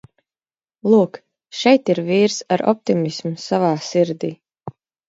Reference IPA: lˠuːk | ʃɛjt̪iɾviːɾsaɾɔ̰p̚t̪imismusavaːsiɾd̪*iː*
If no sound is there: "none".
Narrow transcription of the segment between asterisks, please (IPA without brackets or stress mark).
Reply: iː